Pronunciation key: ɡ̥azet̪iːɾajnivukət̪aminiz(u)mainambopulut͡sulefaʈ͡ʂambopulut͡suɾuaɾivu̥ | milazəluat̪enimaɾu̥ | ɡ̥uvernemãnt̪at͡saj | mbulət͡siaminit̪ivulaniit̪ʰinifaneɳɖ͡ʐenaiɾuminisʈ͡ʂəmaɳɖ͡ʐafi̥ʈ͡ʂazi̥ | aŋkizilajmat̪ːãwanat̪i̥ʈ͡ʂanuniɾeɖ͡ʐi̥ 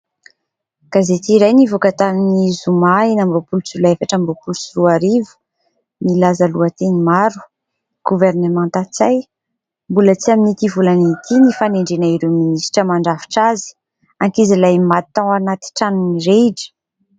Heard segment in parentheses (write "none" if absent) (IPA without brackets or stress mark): u